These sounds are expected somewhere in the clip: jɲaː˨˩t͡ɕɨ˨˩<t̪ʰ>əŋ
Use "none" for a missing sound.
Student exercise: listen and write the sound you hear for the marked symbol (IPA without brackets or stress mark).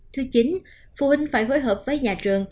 none